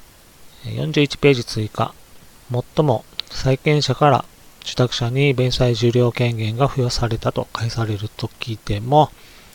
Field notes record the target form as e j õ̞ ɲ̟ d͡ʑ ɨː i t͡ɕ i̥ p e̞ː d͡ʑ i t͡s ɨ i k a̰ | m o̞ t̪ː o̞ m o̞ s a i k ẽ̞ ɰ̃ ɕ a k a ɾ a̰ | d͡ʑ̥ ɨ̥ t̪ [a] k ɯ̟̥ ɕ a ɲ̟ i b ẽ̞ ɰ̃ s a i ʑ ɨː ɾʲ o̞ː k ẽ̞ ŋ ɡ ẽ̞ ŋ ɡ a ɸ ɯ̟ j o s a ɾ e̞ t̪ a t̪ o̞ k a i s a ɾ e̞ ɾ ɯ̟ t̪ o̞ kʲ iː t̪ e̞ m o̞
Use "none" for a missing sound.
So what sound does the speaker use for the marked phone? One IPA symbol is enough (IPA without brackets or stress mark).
a